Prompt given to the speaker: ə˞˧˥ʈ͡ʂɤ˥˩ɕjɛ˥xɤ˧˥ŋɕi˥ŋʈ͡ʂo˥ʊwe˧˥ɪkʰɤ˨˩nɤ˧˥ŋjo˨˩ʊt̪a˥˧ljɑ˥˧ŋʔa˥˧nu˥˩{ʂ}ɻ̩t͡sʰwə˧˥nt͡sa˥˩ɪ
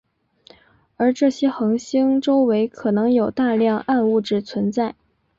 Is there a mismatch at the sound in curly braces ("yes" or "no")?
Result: yes